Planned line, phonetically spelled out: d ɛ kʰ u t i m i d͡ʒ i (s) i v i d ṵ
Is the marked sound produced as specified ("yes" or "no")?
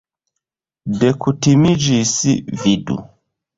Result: yes